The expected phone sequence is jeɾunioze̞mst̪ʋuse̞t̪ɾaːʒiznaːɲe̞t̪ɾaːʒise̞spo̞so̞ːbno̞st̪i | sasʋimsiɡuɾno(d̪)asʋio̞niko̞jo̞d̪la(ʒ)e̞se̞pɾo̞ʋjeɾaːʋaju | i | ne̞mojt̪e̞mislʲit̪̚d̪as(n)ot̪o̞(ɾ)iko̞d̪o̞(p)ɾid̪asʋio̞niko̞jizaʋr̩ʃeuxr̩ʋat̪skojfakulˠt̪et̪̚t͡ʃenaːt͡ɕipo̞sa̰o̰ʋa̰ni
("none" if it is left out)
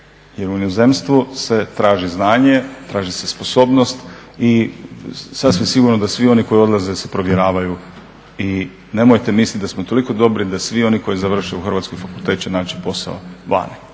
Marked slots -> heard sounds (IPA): d̪, z, m, l, b

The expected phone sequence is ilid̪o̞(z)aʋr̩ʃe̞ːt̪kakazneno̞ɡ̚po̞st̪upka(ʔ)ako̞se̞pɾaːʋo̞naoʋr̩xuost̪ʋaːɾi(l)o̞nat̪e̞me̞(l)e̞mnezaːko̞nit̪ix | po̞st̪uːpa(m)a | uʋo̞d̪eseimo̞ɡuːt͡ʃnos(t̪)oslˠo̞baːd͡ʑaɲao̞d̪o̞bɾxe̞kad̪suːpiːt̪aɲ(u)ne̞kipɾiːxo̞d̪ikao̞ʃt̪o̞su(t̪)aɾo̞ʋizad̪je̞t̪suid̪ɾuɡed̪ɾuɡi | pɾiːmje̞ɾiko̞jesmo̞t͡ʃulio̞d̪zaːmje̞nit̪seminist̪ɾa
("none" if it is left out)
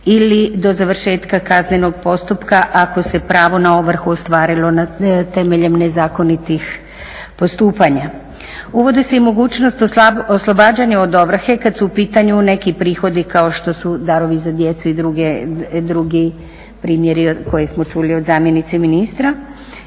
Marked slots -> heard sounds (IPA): z, ʔ, l, ʎ, ɲ, t̪, u, d̪

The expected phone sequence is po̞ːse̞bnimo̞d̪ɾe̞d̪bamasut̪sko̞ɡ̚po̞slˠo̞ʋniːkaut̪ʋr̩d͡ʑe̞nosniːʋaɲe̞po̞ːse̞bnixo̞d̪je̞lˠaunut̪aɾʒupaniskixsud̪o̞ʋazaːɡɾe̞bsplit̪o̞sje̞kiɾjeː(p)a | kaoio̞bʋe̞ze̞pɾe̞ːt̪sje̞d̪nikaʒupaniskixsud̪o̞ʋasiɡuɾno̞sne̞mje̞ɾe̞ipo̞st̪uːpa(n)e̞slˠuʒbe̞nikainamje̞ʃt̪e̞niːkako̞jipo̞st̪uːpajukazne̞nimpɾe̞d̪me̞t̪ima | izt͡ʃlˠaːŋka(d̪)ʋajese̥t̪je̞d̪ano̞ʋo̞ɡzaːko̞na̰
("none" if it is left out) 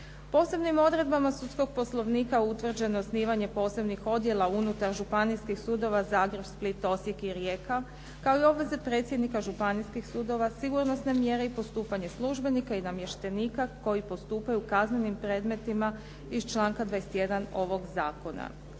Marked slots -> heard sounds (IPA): k, ɲ, d̪

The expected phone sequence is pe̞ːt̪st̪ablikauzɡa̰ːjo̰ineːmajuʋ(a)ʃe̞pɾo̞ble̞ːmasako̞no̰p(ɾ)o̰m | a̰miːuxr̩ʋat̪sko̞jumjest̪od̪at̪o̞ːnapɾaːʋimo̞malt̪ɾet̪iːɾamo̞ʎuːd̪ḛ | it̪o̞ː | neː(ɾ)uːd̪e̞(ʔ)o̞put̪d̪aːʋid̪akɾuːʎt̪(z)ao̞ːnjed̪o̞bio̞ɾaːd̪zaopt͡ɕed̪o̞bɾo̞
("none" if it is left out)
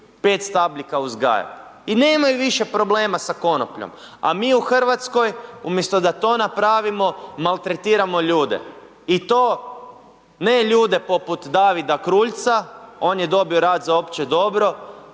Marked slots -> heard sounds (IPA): i, ʎ, ʎ, p, s

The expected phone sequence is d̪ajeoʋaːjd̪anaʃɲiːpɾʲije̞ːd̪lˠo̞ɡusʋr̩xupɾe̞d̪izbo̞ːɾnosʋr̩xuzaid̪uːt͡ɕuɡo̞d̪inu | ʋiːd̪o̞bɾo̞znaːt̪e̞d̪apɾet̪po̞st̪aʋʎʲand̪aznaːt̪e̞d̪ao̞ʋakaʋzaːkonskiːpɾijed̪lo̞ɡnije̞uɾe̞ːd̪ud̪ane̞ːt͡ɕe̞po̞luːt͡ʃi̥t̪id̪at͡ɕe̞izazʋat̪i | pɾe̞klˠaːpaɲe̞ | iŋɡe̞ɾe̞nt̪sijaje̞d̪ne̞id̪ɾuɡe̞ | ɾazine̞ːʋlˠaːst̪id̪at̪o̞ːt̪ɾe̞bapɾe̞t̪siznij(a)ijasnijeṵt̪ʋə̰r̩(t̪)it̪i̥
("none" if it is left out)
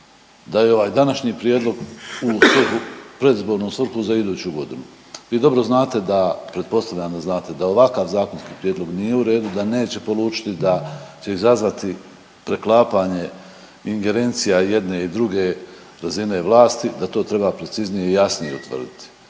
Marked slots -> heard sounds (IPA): e, d̪

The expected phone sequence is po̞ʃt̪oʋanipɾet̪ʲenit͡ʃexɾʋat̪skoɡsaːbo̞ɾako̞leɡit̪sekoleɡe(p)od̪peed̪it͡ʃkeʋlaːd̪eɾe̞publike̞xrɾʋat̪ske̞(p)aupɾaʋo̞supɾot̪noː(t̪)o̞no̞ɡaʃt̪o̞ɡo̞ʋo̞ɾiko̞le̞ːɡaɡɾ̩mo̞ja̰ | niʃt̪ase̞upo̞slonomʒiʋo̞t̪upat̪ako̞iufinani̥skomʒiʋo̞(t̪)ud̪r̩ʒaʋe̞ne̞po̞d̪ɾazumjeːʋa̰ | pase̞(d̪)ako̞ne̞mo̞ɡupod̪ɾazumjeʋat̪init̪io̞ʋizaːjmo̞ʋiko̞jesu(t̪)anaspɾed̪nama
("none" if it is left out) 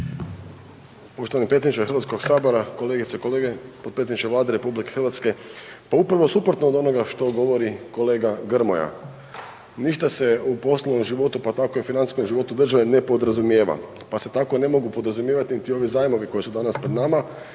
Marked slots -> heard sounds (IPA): p, p, d̪, t̪, t̪, d̪

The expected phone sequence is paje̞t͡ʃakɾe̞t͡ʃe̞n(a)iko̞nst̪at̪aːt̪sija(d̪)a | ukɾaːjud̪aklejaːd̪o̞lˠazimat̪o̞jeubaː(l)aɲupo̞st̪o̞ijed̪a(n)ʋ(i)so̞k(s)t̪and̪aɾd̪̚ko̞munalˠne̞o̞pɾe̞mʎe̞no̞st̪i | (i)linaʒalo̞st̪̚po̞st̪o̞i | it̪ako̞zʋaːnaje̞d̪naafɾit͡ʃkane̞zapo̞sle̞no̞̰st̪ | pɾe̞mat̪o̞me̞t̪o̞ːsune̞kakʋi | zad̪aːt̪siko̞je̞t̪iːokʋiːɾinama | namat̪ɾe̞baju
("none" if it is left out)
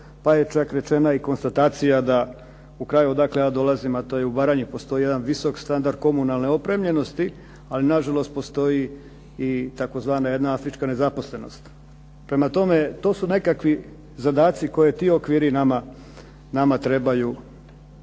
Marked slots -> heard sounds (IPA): a, d̪, ɾ, n, i, s, a

